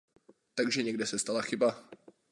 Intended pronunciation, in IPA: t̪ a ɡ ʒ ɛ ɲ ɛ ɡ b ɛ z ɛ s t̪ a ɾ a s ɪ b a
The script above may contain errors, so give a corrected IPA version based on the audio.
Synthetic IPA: t̪ a ɡ ʒ ɛ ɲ ɛ ɡ d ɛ s ɛ s t̪ a l a x ɪ b a